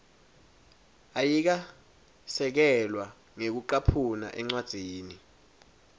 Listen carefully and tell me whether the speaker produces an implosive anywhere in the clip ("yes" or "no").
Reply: no